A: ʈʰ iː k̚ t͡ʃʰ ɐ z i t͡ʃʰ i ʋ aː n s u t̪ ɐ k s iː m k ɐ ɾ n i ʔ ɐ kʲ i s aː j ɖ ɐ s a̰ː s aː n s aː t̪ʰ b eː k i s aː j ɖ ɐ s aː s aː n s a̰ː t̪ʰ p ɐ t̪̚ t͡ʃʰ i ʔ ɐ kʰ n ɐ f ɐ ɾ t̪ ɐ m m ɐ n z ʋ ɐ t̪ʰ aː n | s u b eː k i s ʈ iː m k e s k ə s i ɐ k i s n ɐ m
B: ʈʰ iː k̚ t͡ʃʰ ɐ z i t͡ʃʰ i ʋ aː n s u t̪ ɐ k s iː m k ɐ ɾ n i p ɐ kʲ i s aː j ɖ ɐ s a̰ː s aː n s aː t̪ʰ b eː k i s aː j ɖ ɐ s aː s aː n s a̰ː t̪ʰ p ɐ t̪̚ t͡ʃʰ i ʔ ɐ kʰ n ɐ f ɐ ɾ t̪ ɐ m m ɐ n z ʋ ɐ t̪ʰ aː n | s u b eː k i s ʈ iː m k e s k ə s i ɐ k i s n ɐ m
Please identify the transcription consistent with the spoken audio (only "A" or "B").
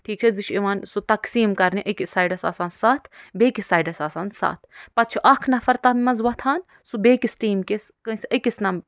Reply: A